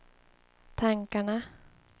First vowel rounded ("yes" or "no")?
no